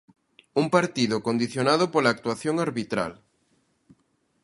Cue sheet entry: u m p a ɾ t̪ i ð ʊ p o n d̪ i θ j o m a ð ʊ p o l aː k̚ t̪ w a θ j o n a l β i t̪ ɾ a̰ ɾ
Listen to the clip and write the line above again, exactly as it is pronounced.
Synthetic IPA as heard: u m p a ɾ t̪ i ð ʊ k o n d̪ i θ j o n a ð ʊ p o l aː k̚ t̪ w a θ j o ŋ a ɾ β i t̪ ɾ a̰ l